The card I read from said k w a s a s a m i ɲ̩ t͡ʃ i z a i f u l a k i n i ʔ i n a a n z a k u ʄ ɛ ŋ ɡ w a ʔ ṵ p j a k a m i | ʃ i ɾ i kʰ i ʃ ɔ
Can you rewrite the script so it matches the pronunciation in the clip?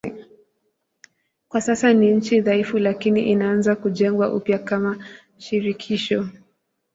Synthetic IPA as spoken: k w a s a s a n i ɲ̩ t͡ʃ i ð a i f u l a k i n i ʔ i n a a n z a k u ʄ ɛ ŋ ɡ w a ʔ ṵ p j a k a m a | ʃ i ɾ i kʰ i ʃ ɔ